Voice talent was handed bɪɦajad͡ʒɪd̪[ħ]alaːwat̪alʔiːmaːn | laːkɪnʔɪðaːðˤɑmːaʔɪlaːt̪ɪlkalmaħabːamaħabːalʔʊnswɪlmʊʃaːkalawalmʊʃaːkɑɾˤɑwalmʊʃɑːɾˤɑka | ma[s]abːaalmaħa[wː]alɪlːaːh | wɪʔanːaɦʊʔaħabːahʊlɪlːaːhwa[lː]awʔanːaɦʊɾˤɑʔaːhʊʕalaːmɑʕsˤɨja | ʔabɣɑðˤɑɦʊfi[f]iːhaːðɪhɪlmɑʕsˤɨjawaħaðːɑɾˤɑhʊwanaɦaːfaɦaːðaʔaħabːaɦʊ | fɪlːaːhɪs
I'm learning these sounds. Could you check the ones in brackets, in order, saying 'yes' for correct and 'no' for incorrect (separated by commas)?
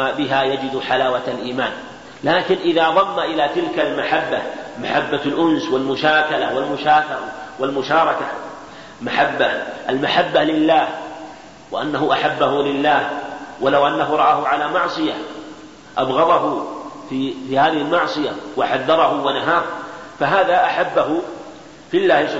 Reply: yes, no, no, no, yes